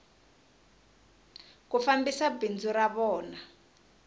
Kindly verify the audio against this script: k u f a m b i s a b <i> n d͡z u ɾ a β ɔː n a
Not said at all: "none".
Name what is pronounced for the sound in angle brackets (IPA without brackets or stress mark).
i